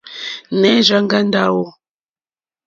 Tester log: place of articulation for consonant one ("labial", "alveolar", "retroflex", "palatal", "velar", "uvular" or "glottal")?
alveolar